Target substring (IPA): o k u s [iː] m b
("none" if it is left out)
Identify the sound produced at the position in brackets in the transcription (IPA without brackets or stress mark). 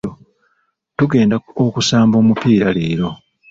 aː